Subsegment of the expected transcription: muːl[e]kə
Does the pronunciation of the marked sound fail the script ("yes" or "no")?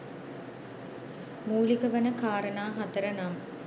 yes